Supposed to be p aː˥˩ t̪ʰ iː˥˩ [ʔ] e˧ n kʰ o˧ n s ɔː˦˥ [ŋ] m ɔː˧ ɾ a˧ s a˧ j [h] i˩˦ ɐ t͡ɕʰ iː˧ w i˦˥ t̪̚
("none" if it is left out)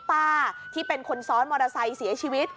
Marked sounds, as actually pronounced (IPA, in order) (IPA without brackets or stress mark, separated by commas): p, n, s